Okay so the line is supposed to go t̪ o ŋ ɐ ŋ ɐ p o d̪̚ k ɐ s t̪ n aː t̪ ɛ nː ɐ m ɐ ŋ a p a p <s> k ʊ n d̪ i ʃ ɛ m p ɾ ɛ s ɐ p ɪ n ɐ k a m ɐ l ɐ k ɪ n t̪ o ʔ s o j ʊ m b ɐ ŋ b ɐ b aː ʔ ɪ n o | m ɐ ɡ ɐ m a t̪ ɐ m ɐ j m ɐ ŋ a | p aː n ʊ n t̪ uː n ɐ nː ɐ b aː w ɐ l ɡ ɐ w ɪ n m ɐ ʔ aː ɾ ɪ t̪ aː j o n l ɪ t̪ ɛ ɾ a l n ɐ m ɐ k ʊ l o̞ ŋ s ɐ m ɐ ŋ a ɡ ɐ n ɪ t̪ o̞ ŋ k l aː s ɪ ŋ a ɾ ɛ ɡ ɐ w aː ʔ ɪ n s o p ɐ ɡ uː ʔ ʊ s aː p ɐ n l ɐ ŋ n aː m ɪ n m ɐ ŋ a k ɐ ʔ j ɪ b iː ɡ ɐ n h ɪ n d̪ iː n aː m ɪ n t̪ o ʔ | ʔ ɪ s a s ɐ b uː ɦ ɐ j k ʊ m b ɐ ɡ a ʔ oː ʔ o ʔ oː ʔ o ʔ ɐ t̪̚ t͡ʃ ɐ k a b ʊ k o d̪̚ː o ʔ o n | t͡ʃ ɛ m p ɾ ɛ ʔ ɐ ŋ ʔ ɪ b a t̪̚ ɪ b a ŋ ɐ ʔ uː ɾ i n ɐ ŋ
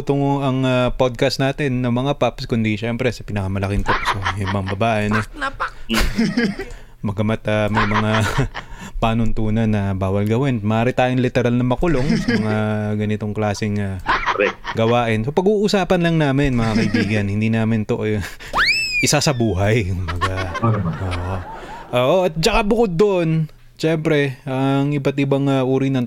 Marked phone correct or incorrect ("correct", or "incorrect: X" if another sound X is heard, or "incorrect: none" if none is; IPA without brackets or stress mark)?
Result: correct